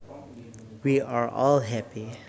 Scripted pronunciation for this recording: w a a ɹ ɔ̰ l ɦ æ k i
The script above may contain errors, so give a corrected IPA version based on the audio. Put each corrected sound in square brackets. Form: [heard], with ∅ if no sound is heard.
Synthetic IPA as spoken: w [i] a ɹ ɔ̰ l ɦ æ [p] i